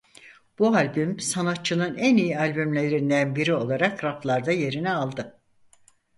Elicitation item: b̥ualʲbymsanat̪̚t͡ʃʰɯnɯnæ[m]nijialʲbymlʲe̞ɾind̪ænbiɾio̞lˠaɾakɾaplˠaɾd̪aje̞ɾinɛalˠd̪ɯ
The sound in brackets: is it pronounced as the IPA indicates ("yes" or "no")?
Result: no